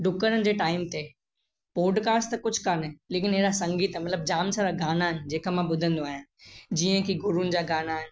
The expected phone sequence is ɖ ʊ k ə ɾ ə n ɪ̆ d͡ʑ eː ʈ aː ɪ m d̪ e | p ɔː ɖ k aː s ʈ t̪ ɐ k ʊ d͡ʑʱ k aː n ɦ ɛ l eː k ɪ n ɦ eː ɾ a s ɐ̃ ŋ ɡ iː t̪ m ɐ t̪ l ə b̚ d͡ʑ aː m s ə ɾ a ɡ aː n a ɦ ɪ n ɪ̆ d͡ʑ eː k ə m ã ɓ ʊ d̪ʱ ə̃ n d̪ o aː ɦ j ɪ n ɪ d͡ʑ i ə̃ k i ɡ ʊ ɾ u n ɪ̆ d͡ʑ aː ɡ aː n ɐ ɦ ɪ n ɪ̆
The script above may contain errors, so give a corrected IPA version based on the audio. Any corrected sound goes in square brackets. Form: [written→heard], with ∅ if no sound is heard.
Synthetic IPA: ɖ ʊ k ə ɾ ə n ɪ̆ d͡ʑ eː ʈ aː ɪ m [d̪→t̪] e | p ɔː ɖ k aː s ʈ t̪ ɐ k ʊ d͡ʑʱ k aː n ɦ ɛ l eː k ɪ n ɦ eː ɾ a s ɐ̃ ŋ ɡ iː t̪ m ɐ t̪ l ə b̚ d͡ʑ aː m s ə ɾ a ɡ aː n a ɦ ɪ n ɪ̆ d͡ʑ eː k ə m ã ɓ ʊ d̪ʱ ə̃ n d̪ o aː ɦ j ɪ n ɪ d͡ʑ i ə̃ k i ɡ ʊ ɾ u n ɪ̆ d͡ʑ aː ɡ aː n [ɐ→a] ɦ ɪ n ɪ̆